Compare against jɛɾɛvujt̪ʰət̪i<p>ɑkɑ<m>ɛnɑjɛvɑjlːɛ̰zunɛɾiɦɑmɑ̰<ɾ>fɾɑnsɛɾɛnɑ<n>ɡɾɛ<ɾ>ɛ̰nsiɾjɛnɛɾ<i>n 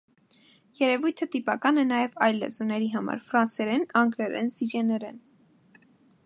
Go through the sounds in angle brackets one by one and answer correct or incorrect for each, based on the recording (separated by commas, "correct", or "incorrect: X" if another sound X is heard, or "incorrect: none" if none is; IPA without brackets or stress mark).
correct, incorrect: n, correct, incorrect: ŋ, correct, incorrect: ɛ